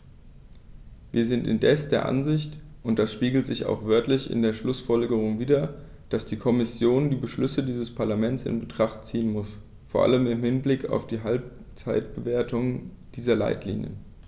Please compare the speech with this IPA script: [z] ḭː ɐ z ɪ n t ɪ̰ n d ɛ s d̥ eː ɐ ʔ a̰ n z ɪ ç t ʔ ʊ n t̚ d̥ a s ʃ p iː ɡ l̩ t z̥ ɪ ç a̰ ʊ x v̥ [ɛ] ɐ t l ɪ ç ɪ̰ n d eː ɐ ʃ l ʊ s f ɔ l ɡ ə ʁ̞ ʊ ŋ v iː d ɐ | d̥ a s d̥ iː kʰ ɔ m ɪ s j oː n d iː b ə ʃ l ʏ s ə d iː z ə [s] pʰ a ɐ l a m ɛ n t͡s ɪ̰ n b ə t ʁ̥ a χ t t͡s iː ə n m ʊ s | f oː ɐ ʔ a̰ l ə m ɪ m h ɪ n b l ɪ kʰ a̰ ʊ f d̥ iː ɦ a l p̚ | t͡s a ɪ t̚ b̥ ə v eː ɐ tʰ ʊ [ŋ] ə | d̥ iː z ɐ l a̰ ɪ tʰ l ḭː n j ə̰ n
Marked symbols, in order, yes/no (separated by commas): no, no, yes, yes